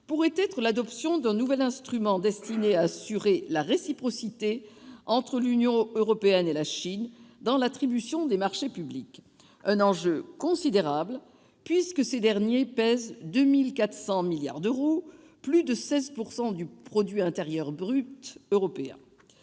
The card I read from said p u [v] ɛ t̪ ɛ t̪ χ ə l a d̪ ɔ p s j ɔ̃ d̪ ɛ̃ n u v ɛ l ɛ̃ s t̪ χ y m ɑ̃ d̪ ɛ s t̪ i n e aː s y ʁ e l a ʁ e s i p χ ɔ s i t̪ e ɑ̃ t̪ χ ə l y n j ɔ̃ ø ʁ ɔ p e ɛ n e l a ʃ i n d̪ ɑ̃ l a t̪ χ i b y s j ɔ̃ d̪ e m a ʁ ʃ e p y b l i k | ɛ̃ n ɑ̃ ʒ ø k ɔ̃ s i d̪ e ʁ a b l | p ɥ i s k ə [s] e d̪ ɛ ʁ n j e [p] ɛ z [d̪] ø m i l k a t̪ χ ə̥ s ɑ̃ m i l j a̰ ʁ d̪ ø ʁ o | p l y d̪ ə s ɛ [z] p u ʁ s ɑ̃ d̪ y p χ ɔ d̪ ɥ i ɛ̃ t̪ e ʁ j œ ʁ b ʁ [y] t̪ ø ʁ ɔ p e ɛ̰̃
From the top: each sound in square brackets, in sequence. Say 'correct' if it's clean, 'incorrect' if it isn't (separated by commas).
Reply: incorrect, correct, correct, correct, correct, correct